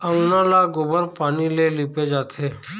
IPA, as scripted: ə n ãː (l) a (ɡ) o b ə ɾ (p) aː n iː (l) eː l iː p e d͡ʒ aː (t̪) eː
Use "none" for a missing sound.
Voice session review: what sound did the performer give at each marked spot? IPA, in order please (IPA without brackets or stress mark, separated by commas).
l, ɡ, p, l, t̪ʰ